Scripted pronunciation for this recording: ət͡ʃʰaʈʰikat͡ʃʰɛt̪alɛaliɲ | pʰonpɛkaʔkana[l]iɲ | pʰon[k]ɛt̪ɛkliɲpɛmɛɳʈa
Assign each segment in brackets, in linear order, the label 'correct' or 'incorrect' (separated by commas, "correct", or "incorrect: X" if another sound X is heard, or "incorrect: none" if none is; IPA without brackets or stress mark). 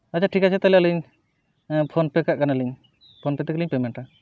correct, incorrect: p